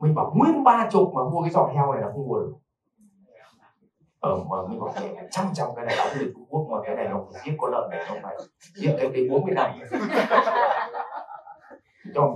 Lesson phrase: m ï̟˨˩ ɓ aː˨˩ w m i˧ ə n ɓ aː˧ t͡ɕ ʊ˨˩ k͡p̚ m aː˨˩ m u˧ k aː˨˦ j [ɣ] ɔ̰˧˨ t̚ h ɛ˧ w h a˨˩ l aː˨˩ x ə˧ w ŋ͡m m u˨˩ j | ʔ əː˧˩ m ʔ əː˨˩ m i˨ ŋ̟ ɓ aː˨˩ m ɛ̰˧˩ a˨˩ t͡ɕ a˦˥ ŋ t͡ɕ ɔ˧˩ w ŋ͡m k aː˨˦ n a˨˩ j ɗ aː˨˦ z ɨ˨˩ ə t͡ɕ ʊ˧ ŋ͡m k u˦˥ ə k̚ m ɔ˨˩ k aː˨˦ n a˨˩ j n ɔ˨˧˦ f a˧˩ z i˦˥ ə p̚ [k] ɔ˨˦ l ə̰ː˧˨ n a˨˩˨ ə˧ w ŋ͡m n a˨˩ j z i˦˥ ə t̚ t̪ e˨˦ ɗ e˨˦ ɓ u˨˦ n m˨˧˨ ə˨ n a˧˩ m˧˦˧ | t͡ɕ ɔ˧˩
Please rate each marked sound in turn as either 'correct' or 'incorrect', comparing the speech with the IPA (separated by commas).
incorrect, correct